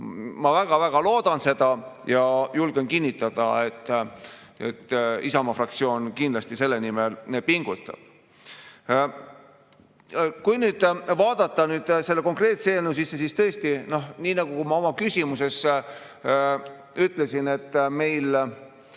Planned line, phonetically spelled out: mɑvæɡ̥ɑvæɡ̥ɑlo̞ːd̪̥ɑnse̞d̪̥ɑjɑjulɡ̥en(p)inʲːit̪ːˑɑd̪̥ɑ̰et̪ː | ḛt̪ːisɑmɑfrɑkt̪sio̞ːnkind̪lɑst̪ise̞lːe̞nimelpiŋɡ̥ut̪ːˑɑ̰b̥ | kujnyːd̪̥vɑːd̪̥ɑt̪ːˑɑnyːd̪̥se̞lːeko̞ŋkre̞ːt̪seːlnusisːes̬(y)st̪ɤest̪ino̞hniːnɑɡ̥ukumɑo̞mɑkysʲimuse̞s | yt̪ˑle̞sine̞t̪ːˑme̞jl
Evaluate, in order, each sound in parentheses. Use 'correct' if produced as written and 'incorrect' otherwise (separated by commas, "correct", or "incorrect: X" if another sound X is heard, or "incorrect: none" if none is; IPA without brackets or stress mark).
incorrect: k, incorrect: i